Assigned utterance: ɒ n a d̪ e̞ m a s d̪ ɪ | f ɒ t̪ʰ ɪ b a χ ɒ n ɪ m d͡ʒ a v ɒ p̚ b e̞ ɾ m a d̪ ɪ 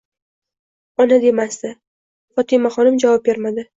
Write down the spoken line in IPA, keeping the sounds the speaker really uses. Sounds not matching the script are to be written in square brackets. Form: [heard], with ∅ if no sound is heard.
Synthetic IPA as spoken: ɒ n a d̪ e̞ m a s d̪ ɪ | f ɒ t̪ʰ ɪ [m] a χ ɒ n ɪ m d͡ʒ a v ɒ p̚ b e̞ ɾ m a d̪ ɪ